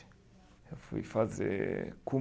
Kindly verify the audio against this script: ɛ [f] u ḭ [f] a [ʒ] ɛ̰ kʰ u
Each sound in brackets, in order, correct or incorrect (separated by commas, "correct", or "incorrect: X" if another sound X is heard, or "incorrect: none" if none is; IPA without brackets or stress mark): correct, correct, incorrect: z